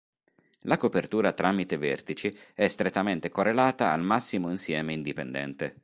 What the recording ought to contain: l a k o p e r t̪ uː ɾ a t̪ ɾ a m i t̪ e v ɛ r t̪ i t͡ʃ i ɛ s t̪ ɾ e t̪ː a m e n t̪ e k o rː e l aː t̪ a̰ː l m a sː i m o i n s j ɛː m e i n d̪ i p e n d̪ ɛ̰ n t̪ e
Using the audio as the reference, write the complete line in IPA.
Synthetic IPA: l a k o p e r t̪ uː ɾ a t̪ ɾ a m i t̪ e v ɛ r t̪ i t͡ʃ i ɛ s t̪ ɾ e t̪ː a m e n t̪ e k o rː e l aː t̪ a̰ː l m a sː i m o i n s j ɛː m e i n d̪ i p e n d̪ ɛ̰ n t̪ e